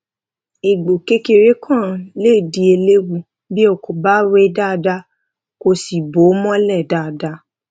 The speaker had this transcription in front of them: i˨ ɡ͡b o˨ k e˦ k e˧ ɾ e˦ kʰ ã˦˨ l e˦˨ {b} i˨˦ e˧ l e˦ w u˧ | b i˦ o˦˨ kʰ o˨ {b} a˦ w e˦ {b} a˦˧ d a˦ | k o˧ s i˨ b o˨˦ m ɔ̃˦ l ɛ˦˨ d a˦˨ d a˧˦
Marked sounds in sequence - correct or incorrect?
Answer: incorrect: d, correct, incorrect: d

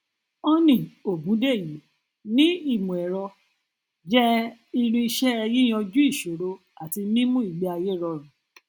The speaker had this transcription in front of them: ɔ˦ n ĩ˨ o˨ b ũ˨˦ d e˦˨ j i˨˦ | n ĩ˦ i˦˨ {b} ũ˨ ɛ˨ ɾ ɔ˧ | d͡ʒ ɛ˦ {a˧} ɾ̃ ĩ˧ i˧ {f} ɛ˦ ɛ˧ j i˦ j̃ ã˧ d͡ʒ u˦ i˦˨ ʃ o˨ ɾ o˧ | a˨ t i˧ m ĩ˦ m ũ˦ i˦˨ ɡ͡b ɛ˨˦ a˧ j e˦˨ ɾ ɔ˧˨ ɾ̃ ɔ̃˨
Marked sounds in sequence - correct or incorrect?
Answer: incorrect: m, incorrect: i˧, incorrect: ʃ

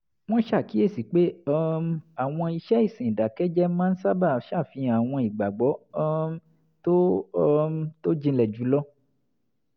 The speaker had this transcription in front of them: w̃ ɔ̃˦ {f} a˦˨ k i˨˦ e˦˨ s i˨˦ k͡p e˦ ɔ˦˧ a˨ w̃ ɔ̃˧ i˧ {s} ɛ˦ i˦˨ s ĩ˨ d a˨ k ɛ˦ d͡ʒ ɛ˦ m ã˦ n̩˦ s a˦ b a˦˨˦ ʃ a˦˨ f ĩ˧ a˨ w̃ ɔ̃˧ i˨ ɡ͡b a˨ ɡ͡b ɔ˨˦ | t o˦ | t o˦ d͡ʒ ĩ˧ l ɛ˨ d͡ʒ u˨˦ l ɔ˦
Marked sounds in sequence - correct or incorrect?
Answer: incorrect: ʃ, incorrect: ʃ

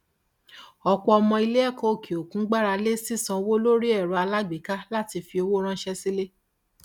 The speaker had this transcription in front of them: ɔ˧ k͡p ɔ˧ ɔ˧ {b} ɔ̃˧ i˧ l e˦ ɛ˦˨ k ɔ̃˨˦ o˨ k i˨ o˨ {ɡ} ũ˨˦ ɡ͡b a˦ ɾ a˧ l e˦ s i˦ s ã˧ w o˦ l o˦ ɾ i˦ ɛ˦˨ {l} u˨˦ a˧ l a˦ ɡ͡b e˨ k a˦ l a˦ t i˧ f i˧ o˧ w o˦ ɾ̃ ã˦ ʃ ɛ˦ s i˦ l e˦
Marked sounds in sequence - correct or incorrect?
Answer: incorrect: m, incorrect: k, incorrect: ɾ

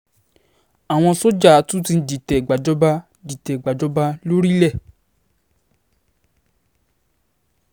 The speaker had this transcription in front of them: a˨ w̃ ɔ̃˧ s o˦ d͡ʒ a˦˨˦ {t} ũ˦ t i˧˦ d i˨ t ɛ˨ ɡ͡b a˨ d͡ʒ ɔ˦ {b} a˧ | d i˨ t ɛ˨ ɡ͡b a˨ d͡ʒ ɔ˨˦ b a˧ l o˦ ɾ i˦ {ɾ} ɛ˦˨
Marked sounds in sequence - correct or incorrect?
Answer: correct, correct, incorrect: l

